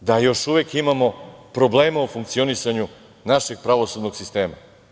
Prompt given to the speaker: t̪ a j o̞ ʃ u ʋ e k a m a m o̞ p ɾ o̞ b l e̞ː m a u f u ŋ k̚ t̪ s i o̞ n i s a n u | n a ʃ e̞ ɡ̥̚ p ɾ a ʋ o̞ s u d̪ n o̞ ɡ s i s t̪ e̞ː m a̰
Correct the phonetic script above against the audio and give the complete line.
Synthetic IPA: d̪ a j o̞ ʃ u ʋ e k i m a m o̞ p ɾ o̞ b l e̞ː m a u f u ŋ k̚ t̪ s i o̞ n i s a ɲ u | n a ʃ e̞ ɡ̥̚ p ɾ a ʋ o̞ s u d̪ n o̞ ɡ s i s t̪ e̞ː m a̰

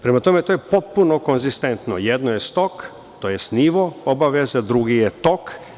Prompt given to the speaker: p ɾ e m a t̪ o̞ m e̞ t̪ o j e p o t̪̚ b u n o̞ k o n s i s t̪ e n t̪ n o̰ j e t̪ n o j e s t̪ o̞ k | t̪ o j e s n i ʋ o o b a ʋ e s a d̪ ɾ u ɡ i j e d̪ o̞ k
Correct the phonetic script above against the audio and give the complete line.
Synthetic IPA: p ɾ e m a t̪ o̞ m e̞ t̪ o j e p o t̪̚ p u n o̞ k o n z i s t̪ e n t̪ n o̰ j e d̪ n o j e s t̪ o̞ k | t̪ o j e s n i ʋ o o b a ʋ e z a d̪ ɾ u ɡ i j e t̪ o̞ k

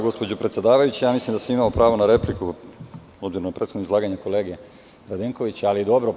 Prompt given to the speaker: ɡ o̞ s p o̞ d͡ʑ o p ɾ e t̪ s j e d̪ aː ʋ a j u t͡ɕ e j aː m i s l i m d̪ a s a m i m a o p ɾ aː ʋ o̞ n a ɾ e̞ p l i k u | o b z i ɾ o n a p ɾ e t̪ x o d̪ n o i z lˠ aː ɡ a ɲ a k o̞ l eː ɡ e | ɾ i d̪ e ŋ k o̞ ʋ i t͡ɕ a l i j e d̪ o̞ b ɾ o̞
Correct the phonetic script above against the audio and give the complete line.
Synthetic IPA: ɡ o̞ s p o̞ d͡ʑ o p ɾ e t̪ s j e d̪ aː ʋ a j u t͡ɕ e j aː m i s l i m d̪ a s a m i m a o p ɾ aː ʋ o̞ n a ɾ e̞ p l i k u | o b z i ɾ o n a p ɾ e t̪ x o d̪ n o i z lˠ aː ɡ a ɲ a k o̞ l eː ɡ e | ɾ a d̪ e ŋ k o̞ ʋ i t͡ɕ a l i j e d̪ o̞ b ɾ o̞

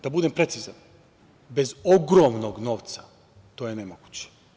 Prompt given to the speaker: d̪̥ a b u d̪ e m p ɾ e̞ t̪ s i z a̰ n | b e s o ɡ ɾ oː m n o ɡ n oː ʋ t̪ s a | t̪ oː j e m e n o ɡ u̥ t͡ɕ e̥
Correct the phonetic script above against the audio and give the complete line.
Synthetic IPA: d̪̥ a b u d̪ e m p ɾ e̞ t̪ s i z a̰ n | b e z o ɡ ɾ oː m n o ɡ n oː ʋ t̪ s a | t̪ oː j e n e m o ɡ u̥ t͡ɕ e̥

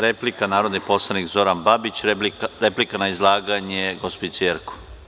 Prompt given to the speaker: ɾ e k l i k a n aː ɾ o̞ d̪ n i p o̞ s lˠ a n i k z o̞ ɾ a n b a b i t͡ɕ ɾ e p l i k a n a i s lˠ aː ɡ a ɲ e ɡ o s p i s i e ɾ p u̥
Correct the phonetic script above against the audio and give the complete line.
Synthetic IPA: ɾ e p l i k a n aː ɾ o̞ d̪ n i p o̞ s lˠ a n i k z o̞ ɾ a n b a b i t͡ɕ ɾ e p l i k a n a i z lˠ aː ɡ a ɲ e ɡ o s p i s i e ɾ k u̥

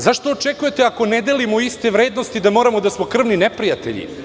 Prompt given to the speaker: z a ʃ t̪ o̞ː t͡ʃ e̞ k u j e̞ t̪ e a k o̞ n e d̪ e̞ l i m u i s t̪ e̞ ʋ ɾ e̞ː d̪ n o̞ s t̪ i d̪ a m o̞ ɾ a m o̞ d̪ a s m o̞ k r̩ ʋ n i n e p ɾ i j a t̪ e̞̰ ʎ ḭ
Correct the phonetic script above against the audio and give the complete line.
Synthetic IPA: z a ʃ t̪ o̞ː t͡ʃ e̞ k u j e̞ t̪ e a k o̞ n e d̪ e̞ l i m o i s t̪ e̞ ʋ ɾ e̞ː d̪ n o̞ s t̪ i d̪ a m o̞ ɾ a m o̞ d̪ a s m o̞ k r̩ ʋ n i n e p ɾ i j a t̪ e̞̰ ʎ ḭ

